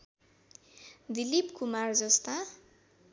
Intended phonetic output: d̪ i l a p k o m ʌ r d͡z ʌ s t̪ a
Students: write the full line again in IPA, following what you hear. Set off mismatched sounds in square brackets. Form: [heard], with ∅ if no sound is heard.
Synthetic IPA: d̪ i l [i] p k [u] m [a] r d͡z ʌ s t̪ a

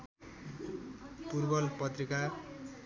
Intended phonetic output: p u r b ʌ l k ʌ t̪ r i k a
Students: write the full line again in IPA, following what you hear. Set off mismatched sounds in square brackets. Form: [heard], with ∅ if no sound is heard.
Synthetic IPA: p u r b ʌ l [p] ʌ t̪ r i k a

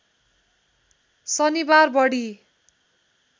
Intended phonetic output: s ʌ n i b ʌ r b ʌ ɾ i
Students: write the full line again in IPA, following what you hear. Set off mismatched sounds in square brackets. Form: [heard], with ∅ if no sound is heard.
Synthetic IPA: s ʌ n i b [a] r b ʌ [ɽ] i

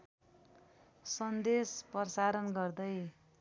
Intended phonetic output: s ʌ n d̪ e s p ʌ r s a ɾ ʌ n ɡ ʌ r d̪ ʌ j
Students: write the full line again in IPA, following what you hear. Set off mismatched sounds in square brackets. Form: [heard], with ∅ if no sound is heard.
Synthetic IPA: s ʌ n d̪ e s p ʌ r s a ɾ ʌ n ɡ ʌ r d̪ ʌ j

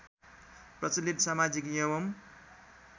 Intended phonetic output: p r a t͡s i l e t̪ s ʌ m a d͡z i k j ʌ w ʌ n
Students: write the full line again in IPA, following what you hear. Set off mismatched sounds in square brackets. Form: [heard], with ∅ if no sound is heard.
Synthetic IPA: p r [ʌ] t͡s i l [i] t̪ s [a] m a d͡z i k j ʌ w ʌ [m]

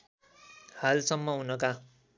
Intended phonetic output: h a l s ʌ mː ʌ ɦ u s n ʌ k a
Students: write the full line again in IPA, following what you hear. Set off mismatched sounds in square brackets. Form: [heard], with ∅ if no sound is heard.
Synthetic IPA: h a l s ʌ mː ʌ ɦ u [∅] n ʌ k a

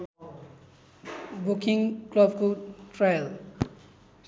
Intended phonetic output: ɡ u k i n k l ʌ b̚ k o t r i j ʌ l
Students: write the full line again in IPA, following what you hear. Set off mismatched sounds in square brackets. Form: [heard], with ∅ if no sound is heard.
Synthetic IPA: [b] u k i [ŋ] k l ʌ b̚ k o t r [a] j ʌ l

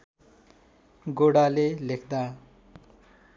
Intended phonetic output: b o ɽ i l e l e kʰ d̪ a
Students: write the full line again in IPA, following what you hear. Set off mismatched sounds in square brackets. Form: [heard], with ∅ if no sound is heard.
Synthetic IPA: [ɡ] o ɽ [a] l e l e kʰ d̪ a

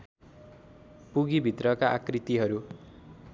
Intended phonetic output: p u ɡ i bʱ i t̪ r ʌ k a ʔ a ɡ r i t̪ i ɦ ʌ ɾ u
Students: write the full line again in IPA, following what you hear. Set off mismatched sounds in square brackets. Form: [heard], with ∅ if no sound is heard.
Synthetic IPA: p u ɡ i bʱ i t̪ r ʌ k a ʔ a [k] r i t̪ i ɦ ʌ ɾ u

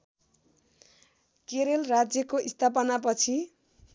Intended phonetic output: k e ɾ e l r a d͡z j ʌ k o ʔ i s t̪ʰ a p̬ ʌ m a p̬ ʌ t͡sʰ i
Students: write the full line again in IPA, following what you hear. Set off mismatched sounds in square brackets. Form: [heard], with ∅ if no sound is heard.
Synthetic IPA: k e ɾ e l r a d͡z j ʌ k o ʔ i s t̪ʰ a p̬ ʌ [n] a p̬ ʌ t͡sʰ i

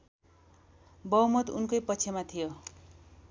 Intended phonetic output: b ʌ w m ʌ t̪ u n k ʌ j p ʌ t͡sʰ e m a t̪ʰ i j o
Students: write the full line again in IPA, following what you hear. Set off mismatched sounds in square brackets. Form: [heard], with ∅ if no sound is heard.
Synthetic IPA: b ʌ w m ʌ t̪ u n k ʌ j p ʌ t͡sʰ e m a t̪ʰ i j o

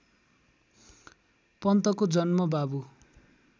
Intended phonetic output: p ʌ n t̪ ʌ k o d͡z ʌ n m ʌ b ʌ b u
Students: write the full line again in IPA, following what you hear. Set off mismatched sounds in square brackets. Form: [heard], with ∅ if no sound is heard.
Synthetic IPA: p ʌ n t̪ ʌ k o d͡z ʌ n m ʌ b [a] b u

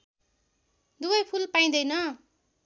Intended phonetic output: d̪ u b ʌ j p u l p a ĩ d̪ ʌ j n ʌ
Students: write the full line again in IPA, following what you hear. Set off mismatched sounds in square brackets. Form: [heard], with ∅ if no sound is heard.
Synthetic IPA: d̪ u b ʌ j [pʰ] u l p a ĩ d̪ ʌ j n ʌ

